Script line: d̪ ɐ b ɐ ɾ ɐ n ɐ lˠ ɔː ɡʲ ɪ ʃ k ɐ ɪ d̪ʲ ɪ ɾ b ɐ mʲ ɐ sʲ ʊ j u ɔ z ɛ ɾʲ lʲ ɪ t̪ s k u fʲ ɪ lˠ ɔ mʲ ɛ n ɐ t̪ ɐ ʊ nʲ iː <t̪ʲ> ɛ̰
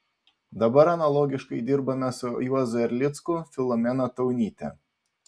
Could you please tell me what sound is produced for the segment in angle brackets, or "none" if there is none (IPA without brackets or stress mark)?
t̪ʲ